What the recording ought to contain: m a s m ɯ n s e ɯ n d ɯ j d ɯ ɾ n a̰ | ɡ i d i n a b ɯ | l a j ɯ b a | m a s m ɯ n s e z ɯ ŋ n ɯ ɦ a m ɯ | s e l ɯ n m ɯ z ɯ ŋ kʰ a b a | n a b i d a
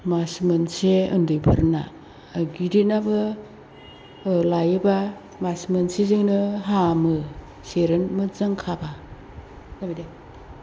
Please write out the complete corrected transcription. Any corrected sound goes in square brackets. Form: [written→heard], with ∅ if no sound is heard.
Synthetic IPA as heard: m a s m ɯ n s e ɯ n d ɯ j [d→b] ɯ ɾ n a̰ | ɡ i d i n a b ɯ | l a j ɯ b a | m a s m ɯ n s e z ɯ ŋ n ɯ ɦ a m ɯ | s e [l→ɾ] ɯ n m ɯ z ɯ ŋ kʰ a b a | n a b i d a